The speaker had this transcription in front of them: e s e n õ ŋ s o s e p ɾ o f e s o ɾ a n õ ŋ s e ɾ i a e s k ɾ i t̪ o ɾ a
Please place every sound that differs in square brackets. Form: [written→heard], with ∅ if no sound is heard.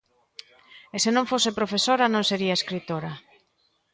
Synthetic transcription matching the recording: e s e n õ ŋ [s→f] o s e p ɾ o f e s o ɾ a n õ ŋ s e ɾ i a e s k ɾ i t̪ o ɾ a